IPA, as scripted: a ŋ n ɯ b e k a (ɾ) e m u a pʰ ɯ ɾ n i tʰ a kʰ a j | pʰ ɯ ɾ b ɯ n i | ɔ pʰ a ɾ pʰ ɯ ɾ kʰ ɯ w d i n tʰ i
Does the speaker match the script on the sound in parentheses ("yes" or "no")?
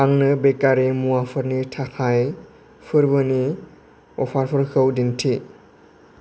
yes